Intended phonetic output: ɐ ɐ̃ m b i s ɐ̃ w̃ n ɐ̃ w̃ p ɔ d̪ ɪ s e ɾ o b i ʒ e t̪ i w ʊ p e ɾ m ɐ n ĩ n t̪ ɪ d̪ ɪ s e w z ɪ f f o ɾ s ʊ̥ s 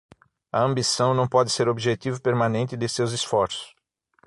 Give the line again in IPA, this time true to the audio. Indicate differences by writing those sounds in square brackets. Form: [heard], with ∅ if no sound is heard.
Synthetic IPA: ɐ ɐ̃ m b i s ɐ̃ w̃ n ɐ̃ w̃ p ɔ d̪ ɪ s e ɾ o b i ʒ e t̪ i [v] ʊ p e ɾ m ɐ n [ẽ] n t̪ ɪ d̪ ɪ s e w z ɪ [s] f [ɔ] ɾ s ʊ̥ s